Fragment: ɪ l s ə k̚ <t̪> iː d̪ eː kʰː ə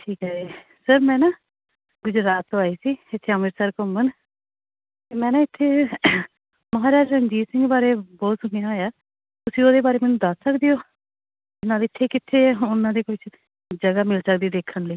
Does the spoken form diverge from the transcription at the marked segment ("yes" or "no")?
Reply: yes